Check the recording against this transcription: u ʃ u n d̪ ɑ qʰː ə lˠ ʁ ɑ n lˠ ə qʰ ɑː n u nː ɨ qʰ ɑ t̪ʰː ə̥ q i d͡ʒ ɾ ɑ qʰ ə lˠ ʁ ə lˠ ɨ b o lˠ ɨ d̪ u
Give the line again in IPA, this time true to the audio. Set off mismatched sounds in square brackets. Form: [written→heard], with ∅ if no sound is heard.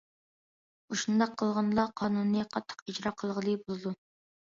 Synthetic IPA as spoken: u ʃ u n d̪ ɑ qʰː ə lˠ ʁ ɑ n lˠ [ə→ɑ] qʰ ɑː n u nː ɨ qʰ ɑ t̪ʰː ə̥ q i d͡ʒ ɾ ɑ qʰ ə lˠ ʁ ə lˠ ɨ b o lˠ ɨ d̪ u